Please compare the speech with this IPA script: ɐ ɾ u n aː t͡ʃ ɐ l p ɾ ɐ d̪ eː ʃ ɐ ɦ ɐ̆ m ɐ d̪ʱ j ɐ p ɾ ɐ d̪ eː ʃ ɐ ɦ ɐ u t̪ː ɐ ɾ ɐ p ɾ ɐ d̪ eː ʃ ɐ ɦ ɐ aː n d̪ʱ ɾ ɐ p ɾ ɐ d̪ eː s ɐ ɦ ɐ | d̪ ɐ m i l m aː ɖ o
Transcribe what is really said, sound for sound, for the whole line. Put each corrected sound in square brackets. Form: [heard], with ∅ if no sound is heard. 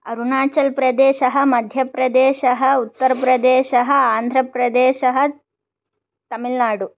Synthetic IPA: ɐ ɾ u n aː t͡ʃ ɐ l p ɾ ɐ d̪ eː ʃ ɐ ɦ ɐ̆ m ɐ d̪ʱ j ɐ p ɾ ɐ d̪ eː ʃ ɐ ɦ ɐ u t̪ː ɐ ɾ ɐ p ɾ ɐ d̪ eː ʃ ɐ ɦ ɐ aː n d̪ʱ ɾ ɐ p ɾ ɐ d̪ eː [ʃ] ɐ ɦ ɐ | [t̪] ɐ m i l [n] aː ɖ [u]